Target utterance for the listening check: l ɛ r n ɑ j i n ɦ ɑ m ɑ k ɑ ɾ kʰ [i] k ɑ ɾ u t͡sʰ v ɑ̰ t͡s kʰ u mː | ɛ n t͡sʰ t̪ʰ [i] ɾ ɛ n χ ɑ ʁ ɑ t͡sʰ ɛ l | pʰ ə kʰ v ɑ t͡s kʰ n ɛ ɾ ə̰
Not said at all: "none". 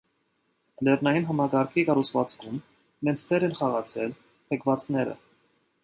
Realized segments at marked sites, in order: i, ɛ

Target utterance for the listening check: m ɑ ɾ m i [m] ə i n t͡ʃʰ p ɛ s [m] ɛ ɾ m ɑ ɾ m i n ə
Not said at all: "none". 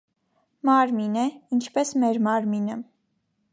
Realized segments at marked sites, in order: n, m

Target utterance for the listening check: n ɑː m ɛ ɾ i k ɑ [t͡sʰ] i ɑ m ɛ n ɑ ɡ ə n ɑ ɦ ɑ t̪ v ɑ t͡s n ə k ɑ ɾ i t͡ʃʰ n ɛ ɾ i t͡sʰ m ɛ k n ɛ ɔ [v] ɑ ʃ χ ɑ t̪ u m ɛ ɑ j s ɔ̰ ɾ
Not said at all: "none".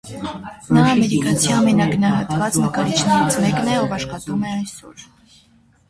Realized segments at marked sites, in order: t͡sʰ, v

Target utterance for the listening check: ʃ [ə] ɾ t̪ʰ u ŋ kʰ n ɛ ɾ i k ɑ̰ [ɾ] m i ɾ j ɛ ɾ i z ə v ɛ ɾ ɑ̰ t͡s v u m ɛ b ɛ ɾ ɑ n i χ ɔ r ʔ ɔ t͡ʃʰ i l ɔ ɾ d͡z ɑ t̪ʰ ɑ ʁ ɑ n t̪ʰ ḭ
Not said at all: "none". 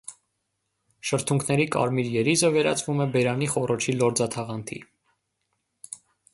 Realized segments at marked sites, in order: ə, ɾ

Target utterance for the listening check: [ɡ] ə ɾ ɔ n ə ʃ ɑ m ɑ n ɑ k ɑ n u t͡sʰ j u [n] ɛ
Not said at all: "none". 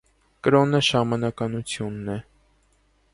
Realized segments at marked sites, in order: k, nː

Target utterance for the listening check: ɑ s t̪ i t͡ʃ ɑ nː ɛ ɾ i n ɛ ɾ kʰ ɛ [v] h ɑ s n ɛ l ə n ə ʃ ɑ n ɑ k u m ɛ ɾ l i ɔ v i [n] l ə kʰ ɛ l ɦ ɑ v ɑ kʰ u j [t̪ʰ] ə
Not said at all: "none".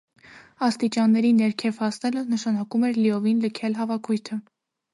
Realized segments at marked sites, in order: v, n, t̪ʰ

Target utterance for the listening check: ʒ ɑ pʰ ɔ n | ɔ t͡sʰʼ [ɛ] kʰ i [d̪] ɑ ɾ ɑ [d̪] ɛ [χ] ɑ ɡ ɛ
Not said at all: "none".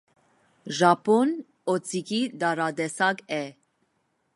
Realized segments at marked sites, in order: i, d̪, d̪, s

